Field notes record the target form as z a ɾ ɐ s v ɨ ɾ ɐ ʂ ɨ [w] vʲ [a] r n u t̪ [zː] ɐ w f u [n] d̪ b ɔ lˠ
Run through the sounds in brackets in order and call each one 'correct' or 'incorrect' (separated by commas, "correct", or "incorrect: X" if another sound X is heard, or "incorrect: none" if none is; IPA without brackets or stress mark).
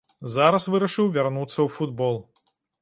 correct, correct, incorrect: sː, incorrect: none